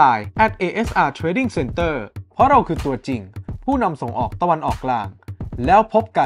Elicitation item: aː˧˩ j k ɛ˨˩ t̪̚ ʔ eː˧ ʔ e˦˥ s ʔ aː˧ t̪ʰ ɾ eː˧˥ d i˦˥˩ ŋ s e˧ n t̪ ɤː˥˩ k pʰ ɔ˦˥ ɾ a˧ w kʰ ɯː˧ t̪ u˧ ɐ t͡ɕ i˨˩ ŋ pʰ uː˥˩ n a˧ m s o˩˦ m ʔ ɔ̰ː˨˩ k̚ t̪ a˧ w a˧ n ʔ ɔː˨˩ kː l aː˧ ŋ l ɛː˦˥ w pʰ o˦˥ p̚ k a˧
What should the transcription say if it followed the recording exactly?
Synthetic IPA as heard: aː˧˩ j ʔ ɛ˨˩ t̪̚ ʔ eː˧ ʔ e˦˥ s ʔ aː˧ t̪ʰ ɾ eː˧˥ d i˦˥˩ ŋ s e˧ n t̪ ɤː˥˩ pʰ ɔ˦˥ ɾ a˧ w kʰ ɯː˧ t̪ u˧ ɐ t͡ɕ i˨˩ ŋ pʰ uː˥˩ n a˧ m s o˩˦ ŋ ʔ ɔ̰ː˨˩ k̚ t̪ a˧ w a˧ n ʔ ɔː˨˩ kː l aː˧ ŋ l ɛː˦˥ w pʰ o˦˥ p̚ k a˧

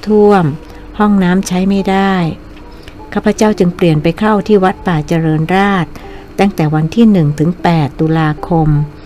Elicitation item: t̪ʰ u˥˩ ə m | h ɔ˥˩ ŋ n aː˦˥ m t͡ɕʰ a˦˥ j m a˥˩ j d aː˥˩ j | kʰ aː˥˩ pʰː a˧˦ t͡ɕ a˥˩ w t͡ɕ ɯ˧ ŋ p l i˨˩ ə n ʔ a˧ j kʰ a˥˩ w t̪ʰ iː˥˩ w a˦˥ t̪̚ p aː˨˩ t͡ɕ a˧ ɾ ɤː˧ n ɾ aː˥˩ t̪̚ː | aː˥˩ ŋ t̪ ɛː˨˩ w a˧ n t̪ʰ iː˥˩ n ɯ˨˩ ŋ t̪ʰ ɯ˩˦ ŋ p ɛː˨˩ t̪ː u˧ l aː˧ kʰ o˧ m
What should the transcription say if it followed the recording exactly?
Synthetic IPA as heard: t̪ʰ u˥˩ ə m | h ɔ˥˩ ŋ n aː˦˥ m t͡ɕʰ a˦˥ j m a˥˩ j d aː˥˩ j | kʰ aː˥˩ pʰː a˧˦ t͡ɕ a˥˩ w t͡ɕ ɯ˧ ŋ p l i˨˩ ə n p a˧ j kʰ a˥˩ w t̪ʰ iː˥˩ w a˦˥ t̪̚ p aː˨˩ t͡ɕ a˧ ɾ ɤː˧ n ɾ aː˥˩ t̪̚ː | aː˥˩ ŋ t̪ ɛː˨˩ w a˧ n t̪ʰ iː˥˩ n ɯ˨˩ ŋ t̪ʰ ɯ˩˦ ŋ p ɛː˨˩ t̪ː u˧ l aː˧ kʰ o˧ m

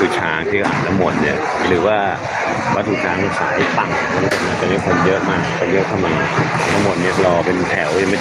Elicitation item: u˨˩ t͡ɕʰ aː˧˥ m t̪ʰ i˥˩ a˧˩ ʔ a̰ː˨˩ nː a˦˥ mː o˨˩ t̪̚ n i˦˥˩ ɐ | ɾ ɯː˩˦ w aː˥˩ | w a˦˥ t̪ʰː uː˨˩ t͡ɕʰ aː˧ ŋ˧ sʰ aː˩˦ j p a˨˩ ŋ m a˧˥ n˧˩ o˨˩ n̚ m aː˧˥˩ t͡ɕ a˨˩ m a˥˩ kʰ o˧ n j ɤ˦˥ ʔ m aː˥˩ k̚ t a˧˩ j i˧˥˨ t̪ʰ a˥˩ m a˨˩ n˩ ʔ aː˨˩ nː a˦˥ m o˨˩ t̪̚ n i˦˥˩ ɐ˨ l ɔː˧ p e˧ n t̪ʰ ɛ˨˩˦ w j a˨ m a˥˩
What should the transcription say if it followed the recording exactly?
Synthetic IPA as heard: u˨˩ t͡ɕʰ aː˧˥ ŋ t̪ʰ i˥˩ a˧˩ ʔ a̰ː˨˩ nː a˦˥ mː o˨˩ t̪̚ n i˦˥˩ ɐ | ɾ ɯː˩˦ w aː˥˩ | w a˦˥ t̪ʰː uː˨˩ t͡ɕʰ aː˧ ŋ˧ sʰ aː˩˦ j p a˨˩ ŋ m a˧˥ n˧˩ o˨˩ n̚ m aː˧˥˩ t͡ɕ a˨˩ m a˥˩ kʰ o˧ n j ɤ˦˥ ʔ m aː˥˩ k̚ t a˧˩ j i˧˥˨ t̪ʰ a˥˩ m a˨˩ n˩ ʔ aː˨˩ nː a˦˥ m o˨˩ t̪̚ n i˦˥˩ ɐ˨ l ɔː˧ p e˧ n t̪ʰ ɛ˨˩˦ w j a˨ m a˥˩

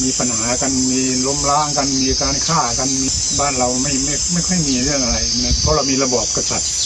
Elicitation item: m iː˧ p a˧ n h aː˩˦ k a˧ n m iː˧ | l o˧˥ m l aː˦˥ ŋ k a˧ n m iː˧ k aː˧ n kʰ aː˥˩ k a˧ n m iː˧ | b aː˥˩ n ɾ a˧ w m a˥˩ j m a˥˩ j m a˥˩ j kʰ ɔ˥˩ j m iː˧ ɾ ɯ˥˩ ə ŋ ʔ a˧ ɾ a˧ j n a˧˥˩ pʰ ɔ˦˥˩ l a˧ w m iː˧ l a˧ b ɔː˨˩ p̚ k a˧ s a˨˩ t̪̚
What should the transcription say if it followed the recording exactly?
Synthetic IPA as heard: m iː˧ p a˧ n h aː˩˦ k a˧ n m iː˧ | l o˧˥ m l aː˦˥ ŋ k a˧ n m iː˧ k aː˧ n kʰ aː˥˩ k a˧ n m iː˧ | b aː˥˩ n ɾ a˧ w m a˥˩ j m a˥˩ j m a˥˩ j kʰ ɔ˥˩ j m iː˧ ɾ ɯ˥˩ ə ŋ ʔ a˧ ɾ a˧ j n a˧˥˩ pʰ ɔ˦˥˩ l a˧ w m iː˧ l a˧ b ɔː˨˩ p̚ k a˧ s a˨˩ t̪̚

